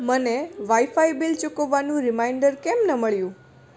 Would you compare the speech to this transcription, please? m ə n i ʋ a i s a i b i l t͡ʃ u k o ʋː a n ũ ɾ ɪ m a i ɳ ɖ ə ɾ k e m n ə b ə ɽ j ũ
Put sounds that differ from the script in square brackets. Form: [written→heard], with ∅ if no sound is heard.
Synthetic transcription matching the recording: m ə n [i→e] ʋ a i [s→f] a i b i l t͡ʃ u k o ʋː a n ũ ɾ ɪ m a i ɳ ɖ ə ɾ k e m n ə [b→m] ə [ɽ→ɭ] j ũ